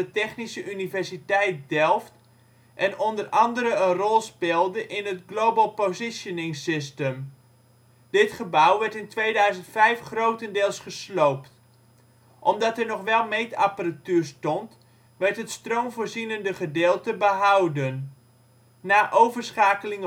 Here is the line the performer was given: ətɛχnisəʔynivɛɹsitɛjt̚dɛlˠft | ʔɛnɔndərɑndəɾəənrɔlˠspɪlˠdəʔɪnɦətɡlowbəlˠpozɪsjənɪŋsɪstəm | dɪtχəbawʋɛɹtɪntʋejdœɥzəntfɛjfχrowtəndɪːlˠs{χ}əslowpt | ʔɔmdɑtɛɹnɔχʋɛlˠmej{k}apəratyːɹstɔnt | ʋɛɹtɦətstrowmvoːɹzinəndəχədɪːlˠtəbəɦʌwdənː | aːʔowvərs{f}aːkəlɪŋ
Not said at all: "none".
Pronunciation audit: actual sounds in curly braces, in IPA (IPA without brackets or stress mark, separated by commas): χ, t, χ